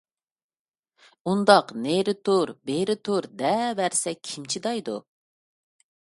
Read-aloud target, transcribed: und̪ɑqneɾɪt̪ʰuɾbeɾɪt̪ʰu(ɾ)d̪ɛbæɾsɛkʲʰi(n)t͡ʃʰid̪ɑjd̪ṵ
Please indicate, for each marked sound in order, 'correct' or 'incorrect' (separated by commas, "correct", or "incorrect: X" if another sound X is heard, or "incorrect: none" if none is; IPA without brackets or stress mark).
correct, incorrect: m